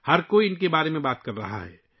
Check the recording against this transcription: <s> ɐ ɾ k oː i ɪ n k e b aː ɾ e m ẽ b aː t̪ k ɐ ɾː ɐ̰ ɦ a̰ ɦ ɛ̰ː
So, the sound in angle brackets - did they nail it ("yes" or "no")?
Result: no